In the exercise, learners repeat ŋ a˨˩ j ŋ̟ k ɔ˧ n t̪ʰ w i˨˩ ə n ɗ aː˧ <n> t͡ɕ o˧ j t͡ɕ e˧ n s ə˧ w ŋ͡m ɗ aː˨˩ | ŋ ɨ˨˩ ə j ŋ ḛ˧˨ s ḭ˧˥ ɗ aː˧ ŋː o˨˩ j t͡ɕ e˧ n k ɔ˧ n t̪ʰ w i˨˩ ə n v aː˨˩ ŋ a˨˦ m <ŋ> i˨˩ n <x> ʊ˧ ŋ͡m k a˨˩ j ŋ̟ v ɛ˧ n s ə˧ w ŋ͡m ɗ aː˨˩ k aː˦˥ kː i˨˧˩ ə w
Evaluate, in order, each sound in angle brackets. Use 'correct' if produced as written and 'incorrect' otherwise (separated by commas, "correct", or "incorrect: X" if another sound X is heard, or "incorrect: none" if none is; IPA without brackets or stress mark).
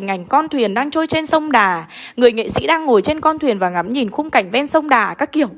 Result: incorrect: ŋ, incorrect: ɲ, correct